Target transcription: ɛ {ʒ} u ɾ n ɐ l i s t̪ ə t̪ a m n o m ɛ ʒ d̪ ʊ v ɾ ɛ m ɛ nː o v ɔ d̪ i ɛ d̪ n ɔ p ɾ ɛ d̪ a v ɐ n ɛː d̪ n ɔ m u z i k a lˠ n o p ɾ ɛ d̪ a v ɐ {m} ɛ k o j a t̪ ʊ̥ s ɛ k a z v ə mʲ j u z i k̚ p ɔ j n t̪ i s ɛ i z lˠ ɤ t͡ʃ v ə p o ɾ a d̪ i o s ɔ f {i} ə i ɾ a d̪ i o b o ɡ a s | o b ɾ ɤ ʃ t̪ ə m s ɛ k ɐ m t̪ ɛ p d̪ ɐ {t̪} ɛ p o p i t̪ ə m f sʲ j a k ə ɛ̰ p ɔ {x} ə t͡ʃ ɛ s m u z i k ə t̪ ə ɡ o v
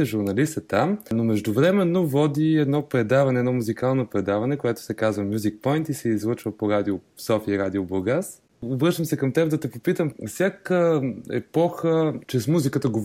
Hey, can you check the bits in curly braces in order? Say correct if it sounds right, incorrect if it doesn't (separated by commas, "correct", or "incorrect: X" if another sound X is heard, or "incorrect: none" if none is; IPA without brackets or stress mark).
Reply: correct, incorrect: n, correct, correct, correct